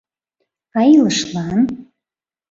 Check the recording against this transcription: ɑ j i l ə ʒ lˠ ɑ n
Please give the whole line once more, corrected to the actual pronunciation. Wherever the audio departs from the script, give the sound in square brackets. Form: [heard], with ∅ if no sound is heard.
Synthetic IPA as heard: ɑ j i l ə [ʃ] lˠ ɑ n